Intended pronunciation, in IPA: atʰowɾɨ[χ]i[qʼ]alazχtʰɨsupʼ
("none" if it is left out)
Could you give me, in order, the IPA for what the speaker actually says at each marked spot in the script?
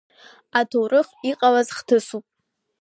χ, qʼ

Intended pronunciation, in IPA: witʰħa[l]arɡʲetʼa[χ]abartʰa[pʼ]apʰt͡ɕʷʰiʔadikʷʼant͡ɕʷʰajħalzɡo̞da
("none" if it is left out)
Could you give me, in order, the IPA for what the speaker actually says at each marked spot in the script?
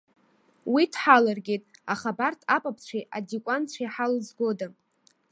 l, χ, pʼ

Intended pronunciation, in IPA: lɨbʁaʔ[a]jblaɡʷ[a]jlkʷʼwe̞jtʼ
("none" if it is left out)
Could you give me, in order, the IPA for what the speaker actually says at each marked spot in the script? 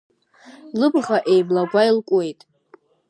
e, a

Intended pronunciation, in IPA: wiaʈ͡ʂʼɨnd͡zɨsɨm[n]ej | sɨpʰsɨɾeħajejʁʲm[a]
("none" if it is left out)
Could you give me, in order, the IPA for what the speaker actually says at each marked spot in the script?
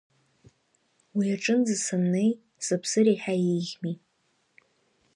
n, i

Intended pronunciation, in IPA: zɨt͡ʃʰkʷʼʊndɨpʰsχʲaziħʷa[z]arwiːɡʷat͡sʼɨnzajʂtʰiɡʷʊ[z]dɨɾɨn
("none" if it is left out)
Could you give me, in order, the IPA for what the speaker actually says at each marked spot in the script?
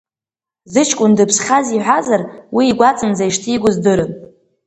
z, z

